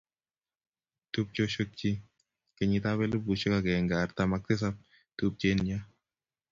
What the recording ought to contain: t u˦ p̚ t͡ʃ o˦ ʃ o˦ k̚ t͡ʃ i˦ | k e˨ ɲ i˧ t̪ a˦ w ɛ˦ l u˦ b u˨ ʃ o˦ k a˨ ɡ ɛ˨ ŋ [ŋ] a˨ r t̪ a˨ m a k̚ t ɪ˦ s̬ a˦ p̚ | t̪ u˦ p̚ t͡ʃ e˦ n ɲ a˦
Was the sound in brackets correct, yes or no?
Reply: no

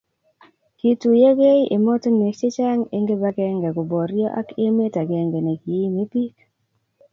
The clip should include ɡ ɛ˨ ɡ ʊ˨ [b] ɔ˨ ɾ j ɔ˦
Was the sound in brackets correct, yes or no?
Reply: yes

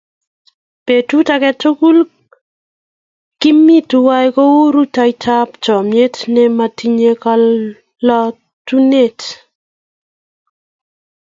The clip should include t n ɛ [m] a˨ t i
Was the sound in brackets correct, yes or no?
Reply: yes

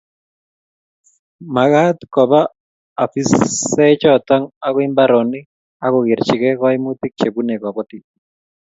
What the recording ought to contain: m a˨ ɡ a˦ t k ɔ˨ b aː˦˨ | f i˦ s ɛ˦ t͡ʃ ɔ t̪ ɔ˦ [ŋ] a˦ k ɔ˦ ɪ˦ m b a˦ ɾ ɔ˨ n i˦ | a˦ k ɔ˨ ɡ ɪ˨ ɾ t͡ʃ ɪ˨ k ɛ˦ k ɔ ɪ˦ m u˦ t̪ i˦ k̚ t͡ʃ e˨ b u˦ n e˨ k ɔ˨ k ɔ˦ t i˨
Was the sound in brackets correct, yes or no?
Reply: yes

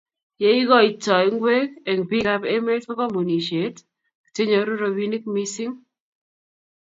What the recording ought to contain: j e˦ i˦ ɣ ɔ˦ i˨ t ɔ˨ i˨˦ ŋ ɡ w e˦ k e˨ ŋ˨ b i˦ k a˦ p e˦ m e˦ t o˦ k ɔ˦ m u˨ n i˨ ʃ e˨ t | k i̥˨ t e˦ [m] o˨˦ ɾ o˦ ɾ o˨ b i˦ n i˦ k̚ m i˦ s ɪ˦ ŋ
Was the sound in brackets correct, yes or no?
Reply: no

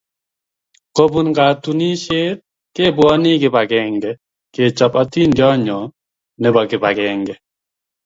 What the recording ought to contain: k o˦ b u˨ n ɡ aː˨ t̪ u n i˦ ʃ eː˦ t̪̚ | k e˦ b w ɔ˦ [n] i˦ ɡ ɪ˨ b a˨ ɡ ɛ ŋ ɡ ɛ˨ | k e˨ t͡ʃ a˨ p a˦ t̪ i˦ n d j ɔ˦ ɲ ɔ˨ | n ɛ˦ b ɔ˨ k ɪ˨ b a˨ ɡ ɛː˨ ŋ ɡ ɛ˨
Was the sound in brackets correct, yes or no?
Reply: yes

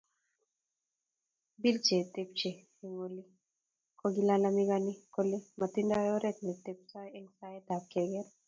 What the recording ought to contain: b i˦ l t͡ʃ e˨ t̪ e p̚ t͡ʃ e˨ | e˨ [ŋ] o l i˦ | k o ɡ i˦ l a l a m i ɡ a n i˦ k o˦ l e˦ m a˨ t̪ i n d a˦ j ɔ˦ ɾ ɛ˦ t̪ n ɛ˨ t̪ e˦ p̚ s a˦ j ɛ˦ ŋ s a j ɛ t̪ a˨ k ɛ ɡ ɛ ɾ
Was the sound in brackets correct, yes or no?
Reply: yes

